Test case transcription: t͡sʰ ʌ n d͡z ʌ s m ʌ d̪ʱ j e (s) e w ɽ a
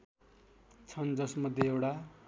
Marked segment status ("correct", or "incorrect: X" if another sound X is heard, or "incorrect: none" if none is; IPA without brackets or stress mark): incorrect: none